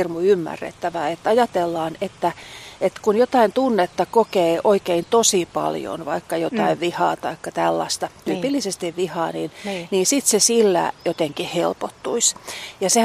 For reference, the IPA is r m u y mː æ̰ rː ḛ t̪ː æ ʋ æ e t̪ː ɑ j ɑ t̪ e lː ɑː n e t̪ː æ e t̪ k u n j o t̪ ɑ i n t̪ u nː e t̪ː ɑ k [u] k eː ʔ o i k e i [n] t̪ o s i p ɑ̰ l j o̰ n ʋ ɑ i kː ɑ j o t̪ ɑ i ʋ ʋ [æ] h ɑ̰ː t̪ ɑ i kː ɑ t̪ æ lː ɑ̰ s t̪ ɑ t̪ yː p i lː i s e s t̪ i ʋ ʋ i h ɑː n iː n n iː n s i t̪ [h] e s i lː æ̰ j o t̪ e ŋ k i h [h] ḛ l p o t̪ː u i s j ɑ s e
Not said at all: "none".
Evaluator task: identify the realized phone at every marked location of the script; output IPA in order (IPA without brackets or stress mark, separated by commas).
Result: o, n, i, s, h